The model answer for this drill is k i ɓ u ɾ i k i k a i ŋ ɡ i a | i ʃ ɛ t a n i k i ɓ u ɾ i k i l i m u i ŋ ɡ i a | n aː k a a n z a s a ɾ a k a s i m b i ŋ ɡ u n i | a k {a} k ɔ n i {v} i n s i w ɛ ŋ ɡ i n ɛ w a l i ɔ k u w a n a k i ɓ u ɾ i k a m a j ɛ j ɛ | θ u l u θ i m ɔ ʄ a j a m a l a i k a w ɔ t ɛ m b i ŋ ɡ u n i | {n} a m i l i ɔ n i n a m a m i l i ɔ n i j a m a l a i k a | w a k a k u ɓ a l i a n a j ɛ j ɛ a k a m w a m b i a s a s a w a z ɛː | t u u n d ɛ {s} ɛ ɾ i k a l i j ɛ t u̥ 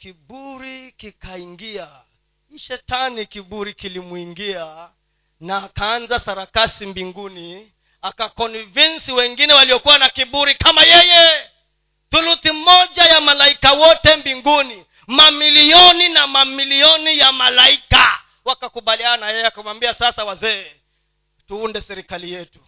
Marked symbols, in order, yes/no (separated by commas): yes, yes, no, yes